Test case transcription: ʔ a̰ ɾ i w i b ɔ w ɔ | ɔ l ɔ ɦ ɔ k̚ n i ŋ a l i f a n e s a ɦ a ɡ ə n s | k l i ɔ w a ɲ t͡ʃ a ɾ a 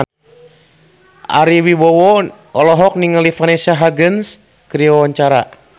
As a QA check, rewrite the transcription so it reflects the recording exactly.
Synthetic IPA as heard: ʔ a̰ ɾ i w i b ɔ w ɔ | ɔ l ɔ ɦ ɔ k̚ n i ŋ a l i f a n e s a ɦ a ɡ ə n s | k ɾ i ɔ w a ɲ t͡ʃ a ɾ a